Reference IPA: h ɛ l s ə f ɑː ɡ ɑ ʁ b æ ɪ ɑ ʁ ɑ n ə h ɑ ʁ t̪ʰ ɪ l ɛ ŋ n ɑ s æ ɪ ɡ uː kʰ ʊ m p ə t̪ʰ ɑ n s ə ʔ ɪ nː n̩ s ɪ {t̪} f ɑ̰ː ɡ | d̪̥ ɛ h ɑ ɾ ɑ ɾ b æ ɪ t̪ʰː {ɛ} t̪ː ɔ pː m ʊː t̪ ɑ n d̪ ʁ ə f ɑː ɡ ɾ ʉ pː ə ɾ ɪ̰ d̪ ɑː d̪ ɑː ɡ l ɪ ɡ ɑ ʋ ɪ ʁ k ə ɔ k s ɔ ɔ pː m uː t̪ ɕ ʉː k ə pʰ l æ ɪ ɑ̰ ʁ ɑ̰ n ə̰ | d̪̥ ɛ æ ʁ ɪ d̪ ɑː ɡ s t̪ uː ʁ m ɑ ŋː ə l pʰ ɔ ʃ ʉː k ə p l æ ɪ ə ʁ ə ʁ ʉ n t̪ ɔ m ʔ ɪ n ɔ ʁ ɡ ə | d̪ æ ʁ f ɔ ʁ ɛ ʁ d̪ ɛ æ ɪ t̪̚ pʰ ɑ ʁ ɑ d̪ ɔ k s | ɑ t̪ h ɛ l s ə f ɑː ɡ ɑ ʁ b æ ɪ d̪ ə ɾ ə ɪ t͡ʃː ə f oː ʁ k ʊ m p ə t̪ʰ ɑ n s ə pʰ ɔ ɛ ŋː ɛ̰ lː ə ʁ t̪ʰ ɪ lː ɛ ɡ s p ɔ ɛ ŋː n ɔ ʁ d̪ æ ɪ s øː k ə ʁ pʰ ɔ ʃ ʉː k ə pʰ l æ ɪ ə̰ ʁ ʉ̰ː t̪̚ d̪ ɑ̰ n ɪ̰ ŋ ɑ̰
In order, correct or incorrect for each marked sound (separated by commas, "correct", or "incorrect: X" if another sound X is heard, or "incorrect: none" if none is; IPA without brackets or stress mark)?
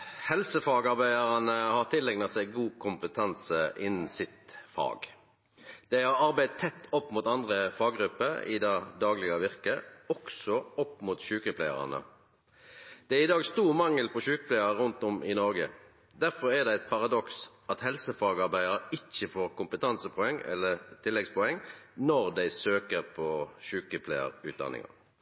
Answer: correct, correct